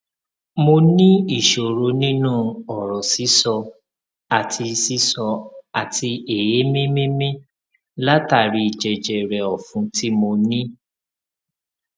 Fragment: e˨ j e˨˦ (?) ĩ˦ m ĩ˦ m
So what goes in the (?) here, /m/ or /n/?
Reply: m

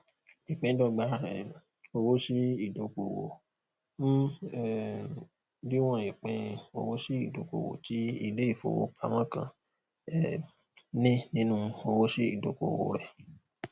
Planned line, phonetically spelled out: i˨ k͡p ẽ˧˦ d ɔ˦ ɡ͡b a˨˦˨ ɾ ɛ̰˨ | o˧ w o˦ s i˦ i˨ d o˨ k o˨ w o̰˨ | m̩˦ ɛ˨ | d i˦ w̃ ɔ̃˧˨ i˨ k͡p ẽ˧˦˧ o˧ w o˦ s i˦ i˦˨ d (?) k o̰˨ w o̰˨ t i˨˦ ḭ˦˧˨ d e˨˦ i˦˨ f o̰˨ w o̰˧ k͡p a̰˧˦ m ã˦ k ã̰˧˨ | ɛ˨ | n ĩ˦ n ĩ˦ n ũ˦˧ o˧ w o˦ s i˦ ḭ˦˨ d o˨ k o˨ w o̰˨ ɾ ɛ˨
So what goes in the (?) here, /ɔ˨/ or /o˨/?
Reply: o˨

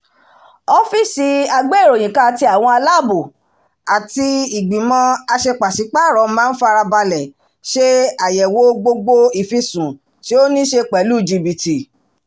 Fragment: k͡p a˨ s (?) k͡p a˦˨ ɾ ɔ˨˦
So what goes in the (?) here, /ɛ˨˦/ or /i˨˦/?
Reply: i˨˦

